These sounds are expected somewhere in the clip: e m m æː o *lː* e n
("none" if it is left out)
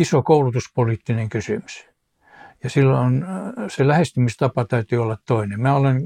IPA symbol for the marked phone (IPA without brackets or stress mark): l